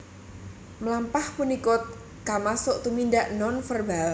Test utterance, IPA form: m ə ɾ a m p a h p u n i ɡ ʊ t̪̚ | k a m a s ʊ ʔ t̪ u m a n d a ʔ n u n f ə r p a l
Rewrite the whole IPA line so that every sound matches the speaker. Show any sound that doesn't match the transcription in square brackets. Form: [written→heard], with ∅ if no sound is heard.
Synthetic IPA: m ə [ɾ→l] a m p a h p u n i [ɡ→k] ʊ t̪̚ | k a m a s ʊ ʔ t̪ u m [a→i] n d a ʔ n [u→ɔ] n f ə r [p→b] a l